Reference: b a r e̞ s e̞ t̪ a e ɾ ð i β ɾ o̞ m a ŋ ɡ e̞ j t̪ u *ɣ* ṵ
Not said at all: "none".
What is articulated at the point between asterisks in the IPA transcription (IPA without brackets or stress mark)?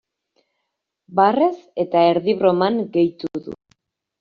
ð